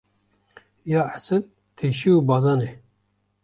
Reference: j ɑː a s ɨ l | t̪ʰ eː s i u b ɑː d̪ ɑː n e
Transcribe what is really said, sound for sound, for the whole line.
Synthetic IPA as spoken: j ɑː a s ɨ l | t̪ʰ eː ʃ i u b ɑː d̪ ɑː n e